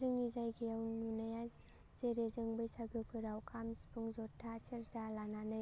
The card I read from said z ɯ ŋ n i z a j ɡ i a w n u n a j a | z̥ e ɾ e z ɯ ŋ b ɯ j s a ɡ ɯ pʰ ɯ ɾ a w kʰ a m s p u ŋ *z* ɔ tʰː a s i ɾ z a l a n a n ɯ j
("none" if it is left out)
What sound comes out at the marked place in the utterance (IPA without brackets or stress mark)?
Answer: z